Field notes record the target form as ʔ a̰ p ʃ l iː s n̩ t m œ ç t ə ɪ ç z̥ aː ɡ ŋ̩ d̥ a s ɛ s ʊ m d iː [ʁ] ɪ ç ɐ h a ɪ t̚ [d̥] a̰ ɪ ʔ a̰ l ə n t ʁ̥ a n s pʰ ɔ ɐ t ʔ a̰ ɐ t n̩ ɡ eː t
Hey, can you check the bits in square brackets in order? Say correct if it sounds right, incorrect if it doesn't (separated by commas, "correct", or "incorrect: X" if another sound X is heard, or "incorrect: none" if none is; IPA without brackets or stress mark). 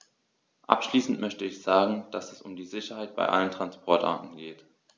incorrect: z, incorrect: b̥